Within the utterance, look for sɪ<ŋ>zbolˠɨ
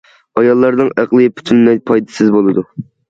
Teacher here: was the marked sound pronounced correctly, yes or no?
no